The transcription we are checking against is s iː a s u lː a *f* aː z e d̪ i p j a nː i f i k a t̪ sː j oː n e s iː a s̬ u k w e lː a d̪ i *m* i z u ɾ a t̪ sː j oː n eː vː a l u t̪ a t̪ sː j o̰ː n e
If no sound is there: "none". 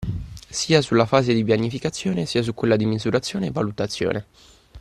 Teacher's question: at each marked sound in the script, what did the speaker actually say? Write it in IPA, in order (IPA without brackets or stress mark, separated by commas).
f, m